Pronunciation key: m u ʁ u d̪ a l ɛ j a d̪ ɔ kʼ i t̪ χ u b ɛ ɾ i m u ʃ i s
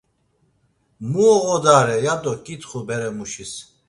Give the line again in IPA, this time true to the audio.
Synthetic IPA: m u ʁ ɔ d̪ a ɾ ɛ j a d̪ ɔ kʼ i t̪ χ u b ɛ ɾ ɛ m u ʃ i s